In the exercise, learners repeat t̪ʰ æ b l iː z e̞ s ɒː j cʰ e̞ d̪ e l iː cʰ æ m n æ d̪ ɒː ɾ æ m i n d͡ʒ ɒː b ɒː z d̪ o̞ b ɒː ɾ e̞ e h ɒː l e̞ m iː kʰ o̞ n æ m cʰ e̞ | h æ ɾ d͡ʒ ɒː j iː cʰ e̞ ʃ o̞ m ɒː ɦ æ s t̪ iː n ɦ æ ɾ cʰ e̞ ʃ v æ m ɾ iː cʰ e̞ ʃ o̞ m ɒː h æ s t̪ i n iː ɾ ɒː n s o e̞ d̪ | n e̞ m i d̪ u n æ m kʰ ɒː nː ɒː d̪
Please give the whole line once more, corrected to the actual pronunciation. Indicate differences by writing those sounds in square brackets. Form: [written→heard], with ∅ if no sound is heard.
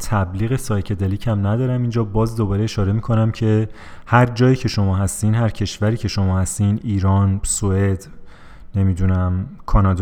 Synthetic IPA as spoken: t̪ʰ æ b l iː [z→ɣ] e̞ s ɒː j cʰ e̞ d̪ e l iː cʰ æ m n æ d̪ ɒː ɾ æ m i n d͡ʒ ɒː b ɒː z d̪ o̞ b ɒː ɾ e̞ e [h→ʃ] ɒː [l→ɾ] e̞ m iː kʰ o̞ n æ m cʰ e̞ | h æ ɾ d͡ʒ ɒː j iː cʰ e̞ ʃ o̞ m ɒː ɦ æ s t̪ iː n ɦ æ ɾ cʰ e̞ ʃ v æ [m→∅] ɾ iː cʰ e̞ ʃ o̞ m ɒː h æ s t̪ i n iː ɾ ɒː n s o e̞ d̪ | n e̞ m i d̪ u n æ m kʰ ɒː [nː→n] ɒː d̪